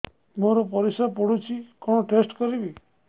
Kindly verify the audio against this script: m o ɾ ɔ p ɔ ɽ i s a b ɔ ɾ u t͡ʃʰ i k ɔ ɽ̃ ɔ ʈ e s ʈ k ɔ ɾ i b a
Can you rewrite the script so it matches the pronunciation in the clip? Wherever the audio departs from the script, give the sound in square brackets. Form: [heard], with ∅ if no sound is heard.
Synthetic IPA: m o ɾ ɔ p ɔ [ɾ] i s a [p] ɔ [ɽ] u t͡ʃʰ i k ɔ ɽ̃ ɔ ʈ e s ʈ k ɔ ɾ i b [i]

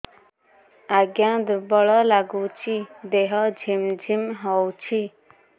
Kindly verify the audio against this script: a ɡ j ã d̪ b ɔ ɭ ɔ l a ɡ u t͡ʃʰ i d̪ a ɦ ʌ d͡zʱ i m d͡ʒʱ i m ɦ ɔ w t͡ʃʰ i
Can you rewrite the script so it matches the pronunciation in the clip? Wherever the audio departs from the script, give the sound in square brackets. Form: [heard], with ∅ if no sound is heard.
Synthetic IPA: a ɡ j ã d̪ b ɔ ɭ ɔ l a ɡ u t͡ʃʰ i d̪ [e] ɦ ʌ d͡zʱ i m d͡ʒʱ i m ɦ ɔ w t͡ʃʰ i

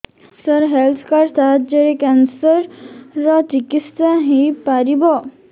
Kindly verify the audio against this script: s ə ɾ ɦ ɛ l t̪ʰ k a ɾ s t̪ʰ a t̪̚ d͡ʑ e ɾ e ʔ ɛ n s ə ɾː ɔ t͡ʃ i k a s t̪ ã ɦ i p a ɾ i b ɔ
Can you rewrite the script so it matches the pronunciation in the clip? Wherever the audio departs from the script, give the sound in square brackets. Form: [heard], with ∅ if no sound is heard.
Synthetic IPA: s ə ɾ ɦ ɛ l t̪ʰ k a ɾ s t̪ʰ a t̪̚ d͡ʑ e ɾ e [k] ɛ n s ə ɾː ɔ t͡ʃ i k [i] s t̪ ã ɦ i p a ɾ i b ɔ

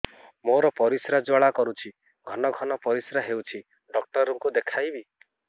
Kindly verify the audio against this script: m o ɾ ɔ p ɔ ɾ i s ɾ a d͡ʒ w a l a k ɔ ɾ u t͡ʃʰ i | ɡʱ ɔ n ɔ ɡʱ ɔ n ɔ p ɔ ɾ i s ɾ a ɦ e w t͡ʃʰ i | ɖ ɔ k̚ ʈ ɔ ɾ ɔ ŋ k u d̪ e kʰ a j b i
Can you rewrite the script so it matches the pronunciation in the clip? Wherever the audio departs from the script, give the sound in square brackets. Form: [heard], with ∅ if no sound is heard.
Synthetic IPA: m o ɾ ɔ p ɔ ɾ i s ɾ a d͡ʒ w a [ɭ] a k ɔ ɾ u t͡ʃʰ i | ɡʱ ɔ n ɔ ɡʱ ɔ n ɔ p ɔ ɾ i s ɾ a ɦ e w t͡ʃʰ i | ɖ ɔ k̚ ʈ ɔ ɾ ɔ ŋ k u d̪ e kʰ a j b i

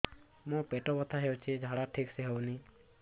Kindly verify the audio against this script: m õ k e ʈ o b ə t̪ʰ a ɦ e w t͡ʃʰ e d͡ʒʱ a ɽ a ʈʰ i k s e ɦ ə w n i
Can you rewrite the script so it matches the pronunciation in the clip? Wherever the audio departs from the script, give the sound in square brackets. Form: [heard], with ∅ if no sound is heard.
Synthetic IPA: m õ [p] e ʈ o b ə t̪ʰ a ɦ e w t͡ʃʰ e d͡ʒʱ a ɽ a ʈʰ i k s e ɦ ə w n i

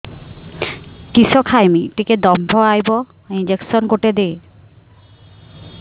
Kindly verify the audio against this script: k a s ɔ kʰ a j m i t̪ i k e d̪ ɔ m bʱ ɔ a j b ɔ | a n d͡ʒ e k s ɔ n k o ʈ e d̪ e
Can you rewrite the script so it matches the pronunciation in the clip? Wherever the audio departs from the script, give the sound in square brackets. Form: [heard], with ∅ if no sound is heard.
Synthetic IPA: k [i] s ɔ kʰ a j m i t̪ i k e d̪ ɔ m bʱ ɔ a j b ɔ | [i] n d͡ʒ e k s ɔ n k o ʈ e d̪ e

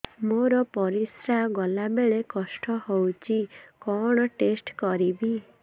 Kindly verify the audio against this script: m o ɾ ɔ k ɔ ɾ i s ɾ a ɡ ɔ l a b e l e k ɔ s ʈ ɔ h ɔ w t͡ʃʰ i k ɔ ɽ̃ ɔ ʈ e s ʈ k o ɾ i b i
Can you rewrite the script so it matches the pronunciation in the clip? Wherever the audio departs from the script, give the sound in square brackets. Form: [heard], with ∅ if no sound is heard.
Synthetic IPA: m o ɾ ɔ [p] ɔ ɾ i s ɾ a ɡ ɔ l a b e [ɭ] e k ɔ s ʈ ɔ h [o] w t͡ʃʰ i k ɔ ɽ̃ ɔ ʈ e s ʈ k [ɔ] ɾ i b i

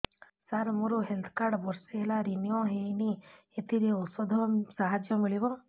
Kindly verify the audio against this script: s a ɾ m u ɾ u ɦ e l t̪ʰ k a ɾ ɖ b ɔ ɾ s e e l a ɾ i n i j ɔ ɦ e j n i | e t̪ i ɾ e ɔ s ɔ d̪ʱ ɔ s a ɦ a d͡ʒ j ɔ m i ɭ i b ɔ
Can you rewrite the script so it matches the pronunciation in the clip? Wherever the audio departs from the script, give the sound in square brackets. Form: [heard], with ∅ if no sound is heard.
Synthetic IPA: s a ɾ m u ɾ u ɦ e l t̪ʰ k a ɾ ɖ b ɔ ɾ s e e l a ɾ i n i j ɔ ɦ e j n i | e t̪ i ɾ e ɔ s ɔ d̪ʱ ɔ s a ɦ a d͡ʒ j ɔ m i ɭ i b ɔ

